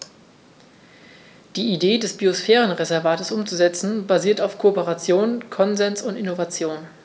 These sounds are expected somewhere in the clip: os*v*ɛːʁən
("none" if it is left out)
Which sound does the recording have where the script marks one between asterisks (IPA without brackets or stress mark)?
f